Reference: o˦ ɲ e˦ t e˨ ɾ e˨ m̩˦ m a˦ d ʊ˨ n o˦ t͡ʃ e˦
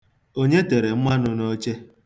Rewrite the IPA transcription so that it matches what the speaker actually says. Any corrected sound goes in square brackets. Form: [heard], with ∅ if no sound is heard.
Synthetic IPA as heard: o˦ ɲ e˦ t e˨ ɾ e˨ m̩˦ m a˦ [n] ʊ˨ n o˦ t͡ʃ e˦